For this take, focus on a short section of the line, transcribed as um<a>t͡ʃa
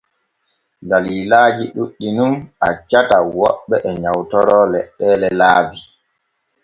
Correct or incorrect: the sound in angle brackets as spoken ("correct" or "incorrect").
correct